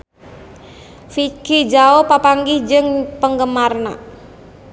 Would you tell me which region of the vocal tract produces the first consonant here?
lips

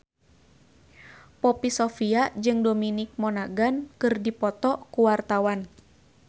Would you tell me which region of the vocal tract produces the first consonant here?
lips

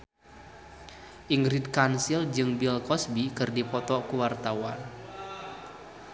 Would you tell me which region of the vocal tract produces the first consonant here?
throat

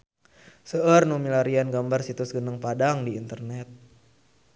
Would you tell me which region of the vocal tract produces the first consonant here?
tongue tip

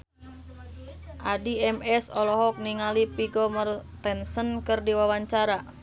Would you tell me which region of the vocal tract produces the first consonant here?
throat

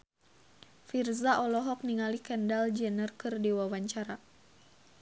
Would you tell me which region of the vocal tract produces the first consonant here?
lips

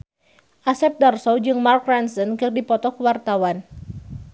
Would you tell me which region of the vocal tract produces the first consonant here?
throat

